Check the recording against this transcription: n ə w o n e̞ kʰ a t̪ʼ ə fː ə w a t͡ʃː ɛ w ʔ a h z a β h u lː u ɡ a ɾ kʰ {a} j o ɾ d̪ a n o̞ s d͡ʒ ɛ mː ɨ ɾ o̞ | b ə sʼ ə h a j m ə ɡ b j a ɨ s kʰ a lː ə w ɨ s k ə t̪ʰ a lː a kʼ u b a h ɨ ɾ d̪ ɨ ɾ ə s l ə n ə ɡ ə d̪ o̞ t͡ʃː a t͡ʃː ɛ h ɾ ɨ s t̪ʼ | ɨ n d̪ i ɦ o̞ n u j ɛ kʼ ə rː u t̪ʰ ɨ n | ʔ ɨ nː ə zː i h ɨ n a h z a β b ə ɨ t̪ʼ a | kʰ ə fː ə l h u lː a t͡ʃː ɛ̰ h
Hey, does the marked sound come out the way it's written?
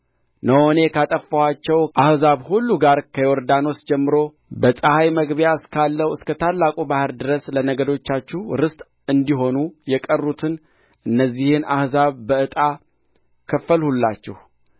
no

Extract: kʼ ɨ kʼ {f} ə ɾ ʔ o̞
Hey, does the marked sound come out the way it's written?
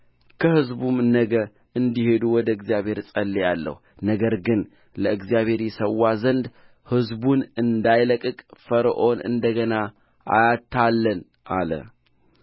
yes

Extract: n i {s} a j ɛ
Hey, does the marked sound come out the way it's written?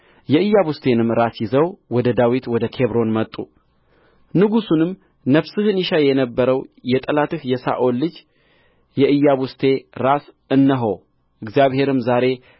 no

